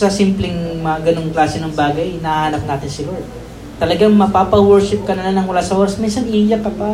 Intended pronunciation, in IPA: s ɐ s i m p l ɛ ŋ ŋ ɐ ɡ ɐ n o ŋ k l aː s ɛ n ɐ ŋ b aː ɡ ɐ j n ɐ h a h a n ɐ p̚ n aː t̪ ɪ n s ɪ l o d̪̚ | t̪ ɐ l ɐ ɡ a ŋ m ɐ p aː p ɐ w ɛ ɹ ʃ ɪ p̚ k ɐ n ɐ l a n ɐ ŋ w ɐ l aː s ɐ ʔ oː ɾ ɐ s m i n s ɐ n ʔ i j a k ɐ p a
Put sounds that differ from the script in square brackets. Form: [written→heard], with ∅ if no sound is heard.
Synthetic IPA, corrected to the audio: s ɐ s i m p l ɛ ŋ [ŋ→m] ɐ ɡ ɐ n o ŋ k l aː s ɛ n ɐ ŋ b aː ɡ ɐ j n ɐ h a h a n ɐ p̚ n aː t̪ ɪ n s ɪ l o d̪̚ | t̪ ɐ l ɐ ɡ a ŋ m ɐ p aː p ɐ w ɛ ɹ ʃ ɪ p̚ k ɐ n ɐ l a n ɐ ŋ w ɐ l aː s ɐ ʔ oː ɾ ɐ s m i n s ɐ n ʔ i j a k ɐ p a